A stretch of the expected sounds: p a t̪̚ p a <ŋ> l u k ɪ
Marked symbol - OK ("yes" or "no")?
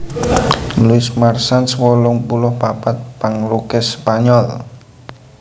yes